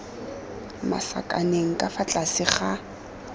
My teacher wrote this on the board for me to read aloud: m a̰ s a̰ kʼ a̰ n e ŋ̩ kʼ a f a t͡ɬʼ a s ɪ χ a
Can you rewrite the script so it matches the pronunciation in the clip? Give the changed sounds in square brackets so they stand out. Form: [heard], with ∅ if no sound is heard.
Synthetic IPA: m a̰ s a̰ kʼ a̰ n e ŋ̩ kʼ a f a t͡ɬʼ a s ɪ χ a